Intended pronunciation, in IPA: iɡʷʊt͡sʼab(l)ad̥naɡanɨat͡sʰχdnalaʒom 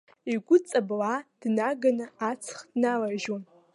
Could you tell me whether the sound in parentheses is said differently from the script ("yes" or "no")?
no